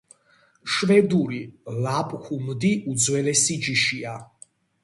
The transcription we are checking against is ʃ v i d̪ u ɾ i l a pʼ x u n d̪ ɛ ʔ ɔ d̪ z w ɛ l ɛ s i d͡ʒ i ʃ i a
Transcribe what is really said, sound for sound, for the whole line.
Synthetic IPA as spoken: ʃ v ɛ d̪ u ɾ i l a pʼ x u m d̪ i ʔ u d̪ z w ɛ l ɛ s i d͡ʒ i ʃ i a